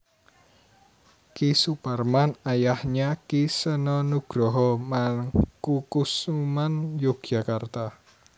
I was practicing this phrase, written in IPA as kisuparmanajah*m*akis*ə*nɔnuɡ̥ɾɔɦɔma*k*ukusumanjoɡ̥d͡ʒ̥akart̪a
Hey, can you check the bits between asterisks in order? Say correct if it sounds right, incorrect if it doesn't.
incorrect: ɲ, correct, correct

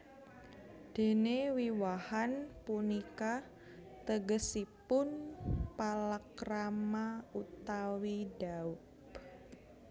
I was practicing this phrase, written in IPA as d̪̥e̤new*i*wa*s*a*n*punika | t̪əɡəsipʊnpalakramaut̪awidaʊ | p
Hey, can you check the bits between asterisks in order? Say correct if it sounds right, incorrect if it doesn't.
correct, incorrect: h, correct

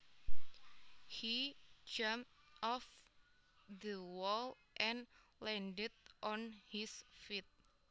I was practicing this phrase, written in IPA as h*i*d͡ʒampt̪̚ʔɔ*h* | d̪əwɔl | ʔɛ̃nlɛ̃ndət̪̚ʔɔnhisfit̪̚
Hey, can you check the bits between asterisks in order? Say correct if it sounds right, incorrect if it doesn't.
correct, incorrect: f

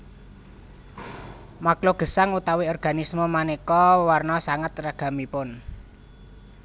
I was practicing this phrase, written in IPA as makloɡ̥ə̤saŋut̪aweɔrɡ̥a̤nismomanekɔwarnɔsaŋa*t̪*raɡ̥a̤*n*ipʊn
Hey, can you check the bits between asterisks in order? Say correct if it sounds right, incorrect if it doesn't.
correct, incorrect: m

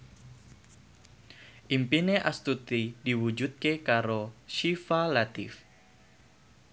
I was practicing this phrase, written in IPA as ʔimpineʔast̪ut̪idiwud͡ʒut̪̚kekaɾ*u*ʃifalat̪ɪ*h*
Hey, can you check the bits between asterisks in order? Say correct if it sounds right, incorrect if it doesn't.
incorrect: o, incorrect: f

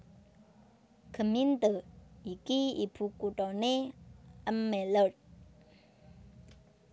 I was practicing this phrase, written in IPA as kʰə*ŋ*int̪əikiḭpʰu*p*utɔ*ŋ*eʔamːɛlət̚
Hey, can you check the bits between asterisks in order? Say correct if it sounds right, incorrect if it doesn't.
incorrect: m, incorrect: k, incorrect: n

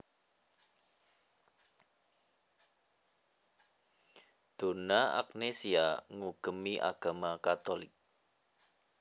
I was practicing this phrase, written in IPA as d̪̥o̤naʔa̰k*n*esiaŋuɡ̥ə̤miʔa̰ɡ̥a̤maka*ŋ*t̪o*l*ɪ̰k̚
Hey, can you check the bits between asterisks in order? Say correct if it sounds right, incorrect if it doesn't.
correct, incorrect: none, correct

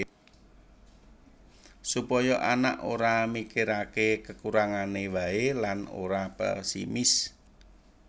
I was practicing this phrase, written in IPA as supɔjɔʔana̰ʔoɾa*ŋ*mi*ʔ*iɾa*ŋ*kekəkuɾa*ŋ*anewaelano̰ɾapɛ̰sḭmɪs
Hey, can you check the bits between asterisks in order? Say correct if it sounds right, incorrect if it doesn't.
incorrect: none, incorrect: k, incorrect: none, correct

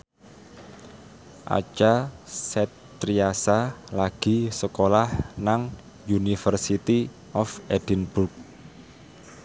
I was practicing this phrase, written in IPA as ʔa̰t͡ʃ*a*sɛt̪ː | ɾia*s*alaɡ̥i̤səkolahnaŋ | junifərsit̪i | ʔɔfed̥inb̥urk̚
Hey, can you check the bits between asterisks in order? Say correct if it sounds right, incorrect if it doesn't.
correct, correct

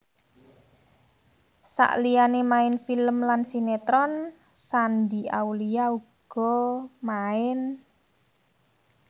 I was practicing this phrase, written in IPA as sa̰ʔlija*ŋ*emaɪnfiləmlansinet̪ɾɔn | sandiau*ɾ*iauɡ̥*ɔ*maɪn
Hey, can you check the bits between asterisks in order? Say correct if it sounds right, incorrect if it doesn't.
incorrect: n, incorrect: l, correct

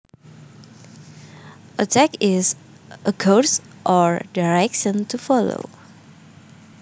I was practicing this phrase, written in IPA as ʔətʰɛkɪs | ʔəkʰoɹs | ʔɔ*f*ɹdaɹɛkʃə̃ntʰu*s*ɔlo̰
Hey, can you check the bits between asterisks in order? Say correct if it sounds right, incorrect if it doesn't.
incorrect: none, incorrect: f

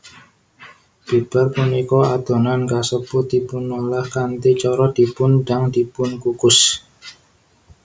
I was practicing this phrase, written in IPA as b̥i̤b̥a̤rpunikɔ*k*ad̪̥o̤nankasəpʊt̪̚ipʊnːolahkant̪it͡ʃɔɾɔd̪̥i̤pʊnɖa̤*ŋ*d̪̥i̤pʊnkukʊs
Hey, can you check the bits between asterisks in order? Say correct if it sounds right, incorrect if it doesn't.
incorrect: none, correct

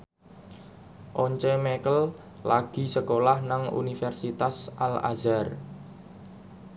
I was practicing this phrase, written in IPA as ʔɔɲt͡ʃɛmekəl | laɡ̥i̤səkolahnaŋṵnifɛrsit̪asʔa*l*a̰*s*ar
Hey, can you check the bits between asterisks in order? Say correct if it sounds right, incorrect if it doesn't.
correct, incorrect: z

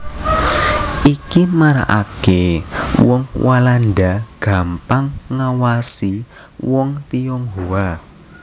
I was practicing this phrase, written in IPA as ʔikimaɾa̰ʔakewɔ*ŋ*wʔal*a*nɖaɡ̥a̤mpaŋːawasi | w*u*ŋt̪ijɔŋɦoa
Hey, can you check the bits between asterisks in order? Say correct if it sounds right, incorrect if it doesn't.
correct, correct, incorrect: ɔ

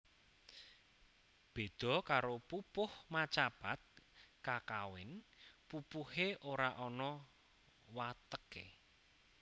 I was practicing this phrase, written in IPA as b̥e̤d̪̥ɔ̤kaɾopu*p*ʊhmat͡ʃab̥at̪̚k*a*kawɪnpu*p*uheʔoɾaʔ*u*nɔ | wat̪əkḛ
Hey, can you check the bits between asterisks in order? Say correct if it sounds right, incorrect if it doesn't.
correct, correct, correct, incorrect: ɔ

